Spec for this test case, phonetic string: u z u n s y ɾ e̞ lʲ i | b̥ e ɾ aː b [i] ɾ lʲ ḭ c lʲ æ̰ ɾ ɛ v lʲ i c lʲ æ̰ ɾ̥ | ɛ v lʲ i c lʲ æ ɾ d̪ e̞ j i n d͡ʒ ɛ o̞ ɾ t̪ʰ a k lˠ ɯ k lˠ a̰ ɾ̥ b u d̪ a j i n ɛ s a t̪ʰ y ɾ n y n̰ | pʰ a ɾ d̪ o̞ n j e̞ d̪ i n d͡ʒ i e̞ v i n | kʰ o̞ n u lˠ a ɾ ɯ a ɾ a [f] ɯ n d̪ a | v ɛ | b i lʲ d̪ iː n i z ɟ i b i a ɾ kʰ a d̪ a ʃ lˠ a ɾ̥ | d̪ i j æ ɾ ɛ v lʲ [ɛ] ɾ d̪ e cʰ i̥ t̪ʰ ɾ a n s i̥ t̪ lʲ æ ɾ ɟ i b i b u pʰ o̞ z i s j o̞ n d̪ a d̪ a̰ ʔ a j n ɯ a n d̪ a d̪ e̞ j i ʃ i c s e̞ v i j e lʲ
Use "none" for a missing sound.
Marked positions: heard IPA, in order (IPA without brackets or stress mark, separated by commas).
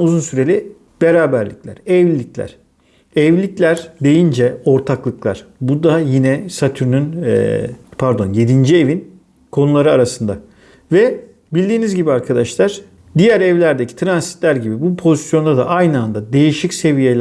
æ, s, æ